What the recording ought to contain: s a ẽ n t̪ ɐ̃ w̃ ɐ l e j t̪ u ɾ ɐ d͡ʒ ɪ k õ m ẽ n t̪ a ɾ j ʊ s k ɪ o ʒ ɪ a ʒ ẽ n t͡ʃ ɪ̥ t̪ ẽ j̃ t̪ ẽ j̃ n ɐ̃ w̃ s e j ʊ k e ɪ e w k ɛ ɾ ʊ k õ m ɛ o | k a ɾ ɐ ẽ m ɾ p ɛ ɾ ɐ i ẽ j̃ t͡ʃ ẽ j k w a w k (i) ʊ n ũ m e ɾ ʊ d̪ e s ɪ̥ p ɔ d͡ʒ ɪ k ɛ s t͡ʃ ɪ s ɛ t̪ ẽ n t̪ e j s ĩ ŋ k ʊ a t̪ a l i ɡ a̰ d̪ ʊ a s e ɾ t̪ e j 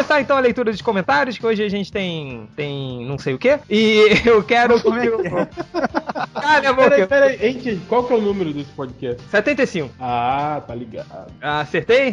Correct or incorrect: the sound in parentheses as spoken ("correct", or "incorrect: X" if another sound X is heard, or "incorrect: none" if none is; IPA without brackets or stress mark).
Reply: incorrect: ɛ